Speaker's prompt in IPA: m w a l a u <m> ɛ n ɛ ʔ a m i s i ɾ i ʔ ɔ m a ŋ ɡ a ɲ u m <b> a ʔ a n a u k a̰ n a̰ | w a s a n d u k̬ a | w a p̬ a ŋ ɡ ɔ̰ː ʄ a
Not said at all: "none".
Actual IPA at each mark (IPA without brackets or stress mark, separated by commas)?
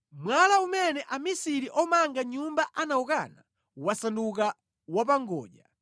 m, b